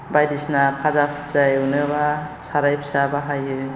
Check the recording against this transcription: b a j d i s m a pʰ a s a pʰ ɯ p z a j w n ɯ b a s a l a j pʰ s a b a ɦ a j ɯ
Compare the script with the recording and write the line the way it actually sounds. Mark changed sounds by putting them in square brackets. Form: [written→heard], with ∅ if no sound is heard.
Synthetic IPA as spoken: b a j d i s [m→n] a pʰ a [s→z] a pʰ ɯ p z a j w n ɯ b a s a [l→ɾ] a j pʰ s a b a ɦ a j ɯ